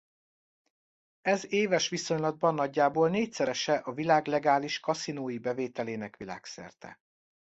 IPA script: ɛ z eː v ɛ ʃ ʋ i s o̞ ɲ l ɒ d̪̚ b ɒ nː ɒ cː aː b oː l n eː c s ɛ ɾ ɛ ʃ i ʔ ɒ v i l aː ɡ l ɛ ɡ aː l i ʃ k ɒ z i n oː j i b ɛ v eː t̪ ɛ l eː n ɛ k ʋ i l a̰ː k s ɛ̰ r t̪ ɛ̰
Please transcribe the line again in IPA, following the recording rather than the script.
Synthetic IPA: ɛ z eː v ɛ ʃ ʋ i s o̞ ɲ l ɒ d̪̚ b ɒ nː ɒ ɟː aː b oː l n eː c s ɛ ɾ ɛ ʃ ɛ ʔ ɒ v i l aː ɡ l ɛ ɡ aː l i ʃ k ɒ s i n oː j i b ɛ v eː t̪ ɛ l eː n ɛ k ʋ i l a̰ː k s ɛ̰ r t̪ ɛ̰